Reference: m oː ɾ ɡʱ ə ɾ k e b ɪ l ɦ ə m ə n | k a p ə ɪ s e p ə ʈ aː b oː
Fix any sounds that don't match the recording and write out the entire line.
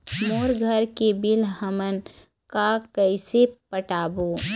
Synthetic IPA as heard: m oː ɾ ɡʱ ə ɾ k e b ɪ l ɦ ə m ə n | k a k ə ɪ s e p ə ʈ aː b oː